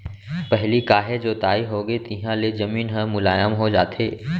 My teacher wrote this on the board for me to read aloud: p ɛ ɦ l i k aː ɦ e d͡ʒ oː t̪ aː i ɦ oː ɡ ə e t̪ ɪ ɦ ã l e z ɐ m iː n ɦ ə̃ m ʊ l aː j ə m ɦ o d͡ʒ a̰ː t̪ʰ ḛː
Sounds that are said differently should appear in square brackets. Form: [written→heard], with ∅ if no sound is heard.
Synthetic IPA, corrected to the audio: p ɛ ɦ l i k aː ɦ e d͡ʒ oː t̪ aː i ɦ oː ɡ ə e t̪ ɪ ɦ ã l e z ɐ m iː n ɦ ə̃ m ʊ l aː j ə m ɦ o d͡ʒ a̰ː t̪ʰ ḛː